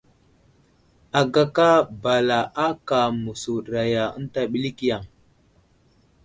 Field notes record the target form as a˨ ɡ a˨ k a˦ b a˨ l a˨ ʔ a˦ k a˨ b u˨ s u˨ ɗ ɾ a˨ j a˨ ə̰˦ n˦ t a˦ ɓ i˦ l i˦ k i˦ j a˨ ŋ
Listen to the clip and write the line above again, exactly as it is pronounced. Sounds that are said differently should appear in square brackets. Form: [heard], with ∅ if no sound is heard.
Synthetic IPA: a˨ ɡ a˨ k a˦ b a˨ l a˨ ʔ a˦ k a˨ [m] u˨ s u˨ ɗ ɾ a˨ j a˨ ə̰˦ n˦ t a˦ ɓ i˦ l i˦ k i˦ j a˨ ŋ